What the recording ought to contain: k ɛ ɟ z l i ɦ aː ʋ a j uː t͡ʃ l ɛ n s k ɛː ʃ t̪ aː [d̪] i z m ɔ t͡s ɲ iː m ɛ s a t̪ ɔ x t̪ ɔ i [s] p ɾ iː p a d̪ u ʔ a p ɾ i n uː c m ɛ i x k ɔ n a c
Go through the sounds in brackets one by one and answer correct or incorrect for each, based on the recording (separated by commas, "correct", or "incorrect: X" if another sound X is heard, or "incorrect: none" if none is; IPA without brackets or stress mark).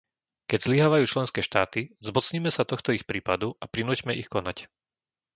incorrect: t̪, incorrect: x